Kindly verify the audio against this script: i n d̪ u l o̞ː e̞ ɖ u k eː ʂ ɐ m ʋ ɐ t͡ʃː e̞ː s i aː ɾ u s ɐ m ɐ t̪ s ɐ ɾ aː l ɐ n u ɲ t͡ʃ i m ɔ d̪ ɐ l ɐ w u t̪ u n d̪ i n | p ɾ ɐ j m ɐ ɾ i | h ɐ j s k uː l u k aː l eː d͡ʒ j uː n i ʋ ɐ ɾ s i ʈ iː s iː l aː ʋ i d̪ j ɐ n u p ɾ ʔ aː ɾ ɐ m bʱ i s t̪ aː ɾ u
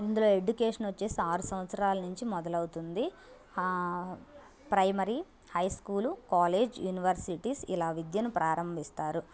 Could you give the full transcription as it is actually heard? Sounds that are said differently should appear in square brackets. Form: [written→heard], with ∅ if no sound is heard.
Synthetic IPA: i n d̪ u l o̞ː e̞ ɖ u k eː ʂ ɐ [m→n] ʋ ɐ t͡ʃː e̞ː s i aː ɾ u s ɐ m ɐ t̪ s ɐ ɾ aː l ɐ n u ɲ t͡ʃ i m ɔ d̪ ɐ l ɐ w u t̪ u n d̪ i [n→∅] | p ɾ ɐ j m ɐ ɾ i | h ɐ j s k uː l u k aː l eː d͡ʒ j uː n i ʋ ɐ ɾ s i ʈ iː s [iː→i] l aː ʋ i d̪ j ɐ n u p ɾ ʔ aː ɾ ɐ m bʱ i s t̪ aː ɾ u

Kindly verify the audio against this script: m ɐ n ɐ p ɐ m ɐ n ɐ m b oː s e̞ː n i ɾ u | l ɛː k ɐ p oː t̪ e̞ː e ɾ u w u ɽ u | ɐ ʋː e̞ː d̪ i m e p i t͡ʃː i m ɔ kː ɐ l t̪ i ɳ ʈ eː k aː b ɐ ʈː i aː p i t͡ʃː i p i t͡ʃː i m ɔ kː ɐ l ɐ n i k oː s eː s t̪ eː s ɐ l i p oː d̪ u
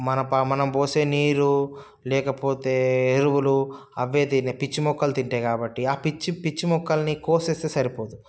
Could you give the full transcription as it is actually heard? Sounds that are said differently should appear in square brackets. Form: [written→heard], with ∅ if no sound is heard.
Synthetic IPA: m ɐ n ɐ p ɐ m ɐ n ɐ m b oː s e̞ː n [i→iː] ɾ u | l ɛː k ɐ p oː t̪ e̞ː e ɾ u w u [ɽ→l] u | ɐ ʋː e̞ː d̪ i [m→n] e p i t͡ʃː i m ɔ kː ɐ l t̪ i ɳ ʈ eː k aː b ɐ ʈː i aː p i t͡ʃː i p i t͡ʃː i m ɔ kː ɐ l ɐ n i k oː s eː s t̪ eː s ɐ [l→ɾ] i p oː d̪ u

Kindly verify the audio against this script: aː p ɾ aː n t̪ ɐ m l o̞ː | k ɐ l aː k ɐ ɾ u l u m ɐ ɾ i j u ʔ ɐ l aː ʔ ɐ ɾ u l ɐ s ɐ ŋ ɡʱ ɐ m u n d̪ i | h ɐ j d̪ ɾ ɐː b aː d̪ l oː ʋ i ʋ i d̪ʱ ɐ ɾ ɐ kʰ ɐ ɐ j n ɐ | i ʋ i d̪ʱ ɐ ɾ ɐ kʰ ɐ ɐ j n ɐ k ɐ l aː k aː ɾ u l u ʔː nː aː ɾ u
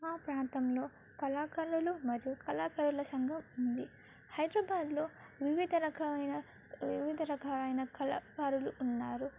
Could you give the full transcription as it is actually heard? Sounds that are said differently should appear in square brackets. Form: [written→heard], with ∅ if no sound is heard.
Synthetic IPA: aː p ɾ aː n t̪ ɐ m l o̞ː | k ɐ l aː k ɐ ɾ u l u m ɐ ɾ i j u [ʔ→k] ɐ l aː [ʔ→k] ɐ ɾ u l ɐ s ɐ ŋ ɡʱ ɐ m u n d̪ i | h ɐ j d̪ ɾ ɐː b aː d̪ l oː ʋ i ʋ i d̪ʱ ɐ ɾ ɐ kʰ ɐ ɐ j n ɐ | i ʋ i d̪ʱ ɐ ɾ ɐ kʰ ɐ ɐ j n ɐ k ɐ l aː k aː ɾ u l u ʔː nː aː ɾ u

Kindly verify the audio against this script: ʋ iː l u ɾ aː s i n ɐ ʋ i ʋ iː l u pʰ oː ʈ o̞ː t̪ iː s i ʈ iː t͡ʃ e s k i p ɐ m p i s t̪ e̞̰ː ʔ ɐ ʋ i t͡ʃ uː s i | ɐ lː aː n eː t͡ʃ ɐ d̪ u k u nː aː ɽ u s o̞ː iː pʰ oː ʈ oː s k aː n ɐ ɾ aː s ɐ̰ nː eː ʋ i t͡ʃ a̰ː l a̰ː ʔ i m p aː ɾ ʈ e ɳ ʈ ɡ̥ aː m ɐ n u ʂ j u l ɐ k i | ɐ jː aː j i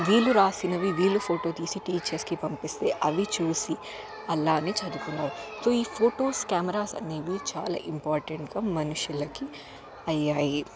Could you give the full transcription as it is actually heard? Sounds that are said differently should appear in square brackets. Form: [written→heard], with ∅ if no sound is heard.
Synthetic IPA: ʋ iː l u ɾ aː s i n ɐ ʋ i ʋ iː l u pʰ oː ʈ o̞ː t̪ iː s i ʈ iː t͡ʃ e s k i p ɐ m p i s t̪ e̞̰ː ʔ ɐ ʋ i t͡ʃ uː s i | ɐ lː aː n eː t͡ʃ ɐ d̪ u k u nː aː [ɽ→ɾ] u s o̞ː iː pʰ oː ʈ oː s k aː [n→m] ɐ ɾ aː s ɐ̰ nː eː ʋ i t͡ʃ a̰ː l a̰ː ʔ i m p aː ɾ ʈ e ɳ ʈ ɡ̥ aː m ɐ n u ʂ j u l ɐ k i | ɐ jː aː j i

